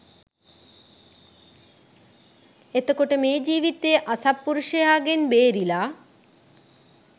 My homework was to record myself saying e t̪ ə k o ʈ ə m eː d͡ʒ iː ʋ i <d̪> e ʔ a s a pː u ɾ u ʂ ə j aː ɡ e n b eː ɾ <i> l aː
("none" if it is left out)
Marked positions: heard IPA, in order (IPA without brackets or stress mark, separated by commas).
t̪, i